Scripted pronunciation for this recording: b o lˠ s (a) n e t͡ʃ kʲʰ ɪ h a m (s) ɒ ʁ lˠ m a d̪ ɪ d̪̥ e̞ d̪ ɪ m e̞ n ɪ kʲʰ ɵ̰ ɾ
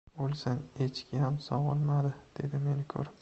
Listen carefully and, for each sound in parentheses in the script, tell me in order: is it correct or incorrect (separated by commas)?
correct, correct